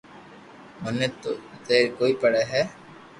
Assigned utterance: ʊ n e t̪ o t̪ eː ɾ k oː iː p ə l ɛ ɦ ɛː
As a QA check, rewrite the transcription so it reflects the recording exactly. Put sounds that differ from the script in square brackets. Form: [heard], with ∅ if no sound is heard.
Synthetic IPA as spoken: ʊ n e t̪ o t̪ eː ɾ k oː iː p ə [ɽ] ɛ ɦ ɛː